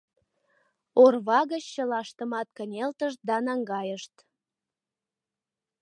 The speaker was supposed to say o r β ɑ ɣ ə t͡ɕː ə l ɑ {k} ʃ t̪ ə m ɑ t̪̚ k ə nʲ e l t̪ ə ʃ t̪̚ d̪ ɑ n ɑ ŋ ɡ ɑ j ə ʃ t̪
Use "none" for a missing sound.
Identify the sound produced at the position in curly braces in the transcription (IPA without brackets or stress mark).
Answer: none